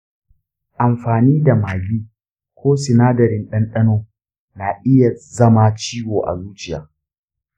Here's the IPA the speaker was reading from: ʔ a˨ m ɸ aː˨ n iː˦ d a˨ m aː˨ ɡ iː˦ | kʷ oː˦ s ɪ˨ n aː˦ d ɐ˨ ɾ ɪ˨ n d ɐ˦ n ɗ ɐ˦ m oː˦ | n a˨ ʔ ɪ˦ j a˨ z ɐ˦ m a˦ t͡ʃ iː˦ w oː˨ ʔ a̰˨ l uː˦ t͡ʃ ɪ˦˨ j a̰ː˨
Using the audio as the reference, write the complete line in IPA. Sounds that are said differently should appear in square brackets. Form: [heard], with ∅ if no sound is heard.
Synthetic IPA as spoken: ʔ a˨ m ɸ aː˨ n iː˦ d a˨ m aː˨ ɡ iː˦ | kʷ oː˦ s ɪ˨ n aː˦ d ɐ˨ ɾ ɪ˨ n [ɗ] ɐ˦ n ɗ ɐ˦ [n] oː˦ | n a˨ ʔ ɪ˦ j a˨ z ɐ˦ m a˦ t͡ʃ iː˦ w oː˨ ʔ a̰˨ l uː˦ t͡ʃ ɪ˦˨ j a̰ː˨